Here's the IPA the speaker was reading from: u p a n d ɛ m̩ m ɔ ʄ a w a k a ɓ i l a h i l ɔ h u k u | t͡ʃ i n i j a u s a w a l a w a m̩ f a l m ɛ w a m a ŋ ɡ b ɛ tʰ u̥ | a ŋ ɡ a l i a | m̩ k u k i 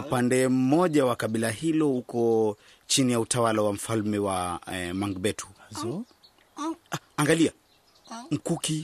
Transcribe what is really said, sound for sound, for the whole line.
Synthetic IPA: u p a n d ɛ m̩ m ɔ ʄ a w a k a ɓ i l a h i l ɔ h u k ɔ | t͡ʃ i n i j a u t a w a l a w a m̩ f a l m ɛ w a m a ŋ ɡ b ɛ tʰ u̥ | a ŋ ɡ a l i a | m̩ k u k i